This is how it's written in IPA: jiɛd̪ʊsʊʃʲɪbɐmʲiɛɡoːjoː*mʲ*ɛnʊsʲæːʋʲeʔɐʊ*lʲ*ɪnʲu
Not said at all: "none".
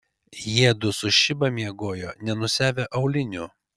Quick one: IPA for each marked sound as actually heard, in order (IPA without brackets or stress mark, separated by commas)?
nʲ, lʲ